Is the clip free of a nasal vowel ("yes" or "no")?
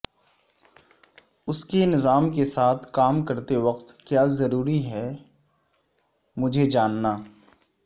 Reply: yes